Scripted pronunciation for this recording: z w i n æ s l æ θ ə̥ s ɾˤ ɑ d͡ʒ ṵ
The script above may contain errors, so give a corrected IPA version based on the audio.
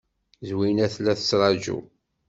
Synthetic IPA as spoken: z w i n æ θ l æ θ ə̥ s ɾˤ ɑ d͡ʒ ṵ